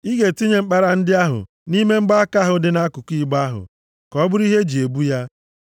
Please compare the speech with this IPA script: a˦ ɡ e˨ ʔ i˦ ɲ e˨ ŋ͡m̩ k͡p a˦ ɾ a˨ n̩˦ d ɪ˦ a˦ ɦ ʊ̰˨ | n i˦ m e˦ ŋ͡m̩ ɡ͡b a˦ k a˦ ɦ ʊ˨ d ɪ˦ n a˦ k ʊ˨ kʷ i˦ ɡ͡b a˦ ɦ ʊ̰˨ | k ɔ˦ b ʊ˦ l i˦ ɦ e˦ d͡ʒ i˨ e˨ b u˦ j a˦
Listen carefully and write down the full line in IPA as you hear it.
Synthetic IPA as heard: i˦ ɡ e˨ t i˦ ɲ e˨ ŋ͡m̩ k͡p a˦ ɾ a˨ n̩˦ d ɪ˦ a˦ ɦ ʊ̰˨ | n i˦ m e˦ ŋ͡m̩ ɡ͡b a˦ k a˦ ɦ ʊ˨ d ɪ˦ n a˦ k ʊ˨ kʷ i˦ ɡ͡b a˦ ɦ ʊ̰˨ | k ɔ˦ b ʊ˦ ɾ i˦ ɦ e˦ d͡ʒ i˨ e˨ b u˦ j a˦